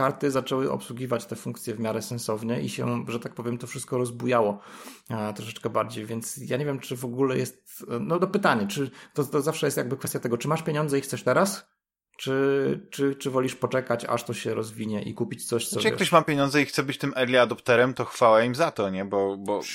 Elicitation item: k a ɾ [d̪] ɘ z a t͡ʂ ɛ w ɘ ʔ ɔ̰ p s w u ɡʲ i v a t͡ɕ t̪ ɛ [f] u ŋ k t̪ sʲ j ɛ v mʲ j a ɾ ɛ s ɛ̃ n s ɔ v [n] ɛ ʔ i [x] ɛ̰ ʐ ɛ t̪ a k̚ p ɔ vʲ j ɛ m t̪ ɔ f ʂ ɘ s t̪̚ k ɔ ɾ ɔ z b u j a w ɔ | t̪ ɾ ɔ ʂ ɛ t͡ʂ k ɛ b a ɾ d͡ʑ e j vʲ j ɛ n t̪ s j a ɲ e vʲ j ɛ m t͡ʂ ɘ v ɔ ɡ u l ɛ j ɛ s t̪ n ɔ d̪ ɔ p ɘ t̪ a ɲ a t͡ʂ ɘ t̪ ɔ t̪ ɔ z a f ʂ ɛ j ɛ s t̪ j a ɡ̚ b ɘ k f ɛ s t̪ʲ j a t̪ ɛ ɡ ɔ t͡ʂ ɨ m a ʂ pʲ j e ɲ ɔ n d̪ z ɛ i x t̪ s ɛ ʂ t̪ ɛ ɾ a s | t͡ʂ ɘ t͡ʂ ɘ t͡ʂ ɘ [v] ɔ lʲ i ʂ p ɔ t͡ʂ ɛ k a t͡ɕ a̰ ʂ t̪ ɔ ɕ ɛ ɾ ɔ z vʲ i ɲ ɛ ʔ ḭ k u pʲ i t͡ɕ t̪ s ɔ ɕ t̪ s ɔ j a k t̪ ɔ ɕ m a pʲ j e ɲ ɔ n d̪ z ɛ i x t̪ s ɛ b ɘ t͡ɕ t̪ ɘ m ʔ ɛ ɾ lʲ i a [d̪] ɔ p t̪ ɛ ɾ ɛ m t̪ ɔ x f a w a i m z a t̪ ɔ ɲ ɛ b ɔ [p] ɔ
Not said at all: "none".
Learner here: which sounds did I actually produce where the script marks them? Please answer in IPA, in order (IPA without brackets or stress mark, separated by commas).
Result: t̪, f, ɲ, ɕ, v, d̪, b